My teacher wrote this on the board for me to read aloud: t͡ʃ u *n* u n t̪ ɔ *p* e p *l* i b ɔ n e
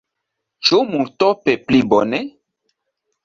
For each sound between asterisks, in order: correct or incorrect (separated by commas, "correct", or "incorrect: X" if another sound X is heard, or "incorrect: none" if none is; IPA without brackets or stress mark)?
incorrect: m, correct, correct